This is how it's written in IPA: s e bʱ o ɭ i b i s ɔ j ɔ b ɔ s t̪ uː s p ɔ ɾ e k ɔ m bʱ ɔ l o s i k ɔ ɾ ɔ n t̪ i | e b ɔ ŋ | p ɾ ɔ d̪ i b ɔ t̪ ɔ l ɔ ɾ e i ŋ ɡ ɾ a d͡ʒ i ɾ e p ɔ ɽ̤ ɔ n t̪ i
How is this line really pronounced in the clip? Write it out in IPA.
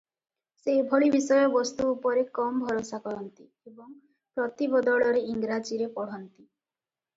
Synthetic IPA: s e bʱ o ɭ i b i s ɔ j ɔ b ɔ s t̪ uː p ɔ ɾ e k ɔ m bʱ ɔ ɾ o s a k ɔ ɾ ɔ n t̪ i | e b ɔ ŋ | p ɾ ɔ t̪ i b ɔ d̪ ɔ ɭ ɔ ɾ e i ŋ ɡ ɾ a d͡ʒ i ɾ e p ɔ ɽ̤ ɔ n t̪ i